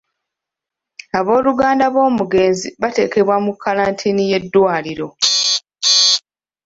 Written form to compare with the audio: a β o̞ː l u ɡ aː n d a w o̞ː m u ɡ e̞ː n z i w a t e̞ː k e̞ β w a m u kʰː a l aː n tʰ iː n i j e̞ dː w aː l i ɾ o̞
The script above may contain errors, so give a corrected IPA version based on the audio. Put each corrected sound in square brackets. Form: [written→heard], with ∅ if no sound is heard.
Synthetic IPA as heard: a β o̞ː l u ɡ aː n d a [w→β] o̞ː m u ɡ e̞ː n z i [w→β] a t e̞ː k e̞ β w a m u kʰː a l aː n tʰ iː n i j e̞ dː w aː l i ɾ o̞